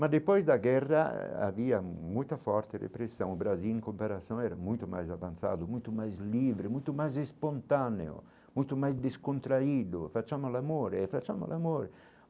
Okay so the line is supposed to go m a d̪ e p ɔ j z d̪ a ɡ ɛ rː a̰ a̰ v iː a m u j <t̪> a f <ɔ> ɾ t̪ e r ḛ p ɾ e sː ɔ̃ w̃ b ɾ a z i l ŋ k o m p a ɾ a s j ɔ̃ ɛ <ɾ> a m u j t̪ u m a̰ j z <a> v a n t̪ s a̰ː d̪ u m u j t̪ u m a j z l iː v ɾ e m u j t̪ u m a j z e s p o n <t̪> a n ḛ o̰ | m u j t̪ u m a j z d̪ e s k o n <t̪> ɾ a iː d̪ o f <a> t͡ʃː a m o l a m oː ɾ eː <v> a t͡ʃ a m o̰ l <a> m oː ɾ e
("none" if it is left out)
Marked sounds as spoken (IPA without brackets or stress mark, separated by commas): t̪, ɔ, ɾ, a, t̪, t̪, a, f, a